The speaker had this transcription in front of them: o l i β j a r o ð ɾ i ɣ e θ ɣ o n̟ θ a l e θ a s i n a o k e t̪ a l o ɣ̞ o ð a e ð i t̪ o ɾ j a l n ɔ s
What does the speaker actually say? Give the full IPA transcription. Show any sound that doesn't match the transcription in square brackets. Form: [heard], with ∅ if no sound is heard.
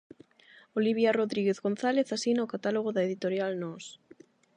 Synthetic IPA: o l i β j a r o ð ɾ i ɣ e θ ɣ o n̟ θ a l e θ a s i n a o k [a] t̪ a l o ɣ̞ o ð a e ð i t̪ o ɾ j a l n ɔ s

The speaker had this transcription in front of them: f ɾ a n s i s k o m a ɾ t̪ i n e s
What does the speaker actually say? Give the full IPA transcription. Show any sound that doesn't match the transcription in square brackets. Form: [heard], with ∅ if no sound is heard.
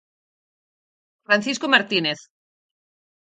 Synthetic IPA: f ɾ a n [θ] i s k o m a ɾ t̪ i n e [θ]

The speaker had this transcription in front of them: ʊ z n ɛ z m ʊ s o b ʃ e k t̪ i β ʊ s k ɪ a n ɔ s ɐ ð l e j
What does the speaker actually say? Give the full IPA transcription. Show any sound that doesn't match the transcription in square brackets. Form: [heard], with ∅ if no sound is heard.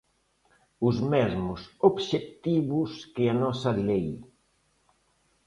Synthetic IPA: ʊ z [m] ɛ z m ʊ s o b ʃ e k t̪ i β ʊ s k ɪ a n ɔ s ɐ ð l e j

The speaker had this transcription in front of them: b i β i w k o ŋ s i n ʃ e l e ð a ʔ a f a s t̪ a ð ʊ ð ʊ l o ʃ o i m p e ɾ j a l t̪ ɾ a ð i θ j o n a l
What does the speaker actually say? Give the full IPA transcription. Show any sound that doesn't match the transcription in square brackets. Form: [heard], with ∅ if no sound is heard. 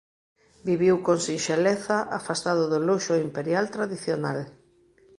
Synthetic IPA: b i β i w k o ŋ s i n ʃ e l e [θ] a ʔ a f a s t̪ a ð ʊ ð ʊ l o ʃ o i m p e ɾ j a l t̪ ɾ a ð i θ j o n a l

